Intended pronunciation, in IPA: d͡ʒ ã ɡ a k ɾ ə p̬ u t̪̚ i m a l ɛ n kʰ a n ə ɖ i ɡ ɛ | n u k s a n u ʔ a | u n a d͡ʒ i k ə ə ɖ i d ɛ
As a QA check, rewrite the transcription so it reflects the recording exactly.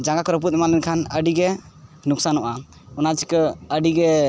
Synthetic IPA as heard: d͡ʒ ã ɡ a k ɾ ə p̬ u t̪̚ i m a l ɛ n kʰ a n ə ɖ i ɡ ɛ | n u k s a n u ʔ a | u n a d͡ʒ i k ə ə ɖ i ɡ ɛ